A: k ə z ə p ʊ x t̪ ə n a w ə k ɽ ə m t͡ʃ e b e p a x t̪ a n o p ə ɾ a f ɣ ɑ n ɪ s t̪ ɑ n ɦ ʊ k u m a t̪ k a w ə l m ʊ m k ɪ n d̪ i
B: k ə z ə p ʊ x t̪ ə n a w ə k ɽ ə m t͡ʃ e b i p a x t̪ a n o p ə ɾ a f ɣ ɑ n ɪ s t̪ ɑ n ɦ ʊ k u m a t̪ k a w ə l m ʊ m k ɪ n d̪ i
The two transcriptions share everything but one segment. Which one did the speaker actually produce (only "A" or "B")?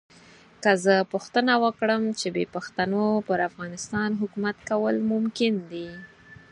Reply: A